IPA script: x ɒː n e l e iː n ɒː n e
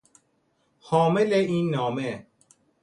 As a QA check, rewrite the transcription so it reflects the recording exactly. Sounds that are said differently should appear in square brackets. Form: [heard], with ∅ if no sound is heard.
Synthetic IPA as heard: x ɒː [m] e l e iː [nː] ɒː [m] e